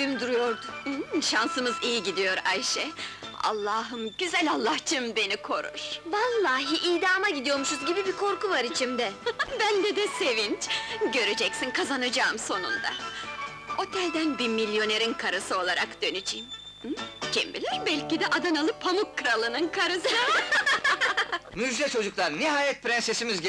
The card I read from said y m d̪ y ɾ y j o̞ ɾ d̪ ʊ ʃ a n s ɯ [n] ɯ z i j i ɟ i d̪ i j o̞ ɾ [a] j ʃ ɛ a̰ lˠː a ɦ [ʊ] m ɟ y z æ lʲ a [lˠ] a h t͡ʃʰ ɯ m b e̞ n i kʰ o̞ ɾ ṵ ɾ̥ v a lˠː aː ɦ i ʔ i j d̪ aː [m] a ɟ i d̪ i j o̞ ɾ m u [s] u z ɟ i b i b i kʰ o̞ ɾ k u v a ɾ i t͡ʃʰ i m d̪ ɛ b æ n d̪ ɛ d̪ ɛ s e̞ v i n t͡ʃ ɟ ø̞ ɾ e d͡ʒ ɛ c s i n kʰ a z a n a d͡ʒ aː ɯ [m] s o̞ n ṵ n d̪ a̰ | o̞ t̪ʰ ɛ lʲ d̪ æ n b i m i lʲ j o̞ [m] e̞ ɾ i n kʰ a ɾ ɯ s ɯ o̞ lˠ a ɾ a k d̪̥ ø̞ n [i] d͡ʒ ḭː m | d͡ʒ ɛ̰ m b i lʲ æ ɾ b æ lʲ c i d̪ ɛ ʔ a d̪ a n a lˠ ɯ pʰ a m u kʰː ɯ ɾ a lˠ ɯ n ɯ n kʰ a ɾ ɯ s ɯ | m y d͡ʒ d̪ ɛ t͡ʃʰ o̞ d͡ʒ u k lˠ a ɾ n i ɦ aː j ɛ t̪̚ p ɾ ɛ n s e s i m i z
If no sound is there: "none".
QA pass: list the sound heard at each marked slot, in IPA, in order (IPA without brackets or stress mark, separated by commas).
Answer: m, a, ɯ, lˠː, m, ʃ, m, n, y